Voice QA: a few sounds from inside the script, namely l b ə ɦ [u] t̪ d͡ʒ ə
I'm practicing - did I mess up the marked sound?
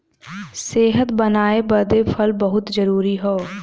yes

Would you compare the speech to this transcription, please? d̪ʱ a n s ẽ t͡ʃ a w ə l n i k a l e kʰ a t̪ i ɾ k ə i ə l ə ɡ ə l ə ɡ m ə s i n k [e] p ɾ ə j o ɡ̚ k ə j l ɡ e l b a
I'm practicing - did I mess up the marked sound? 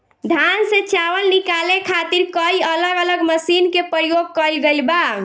no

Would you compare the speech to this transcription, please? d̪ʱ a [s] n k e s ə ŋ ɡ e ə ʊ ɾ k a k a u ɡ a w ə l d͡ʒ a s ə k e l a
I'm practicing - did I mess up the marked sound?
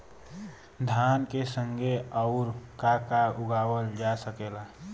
yes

